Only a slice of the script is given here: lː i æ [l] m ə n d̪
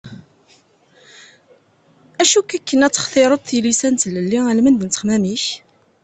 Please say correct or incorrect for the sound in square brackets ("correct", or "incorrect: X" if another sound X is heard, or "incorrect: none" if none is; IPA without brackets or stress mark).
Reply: correct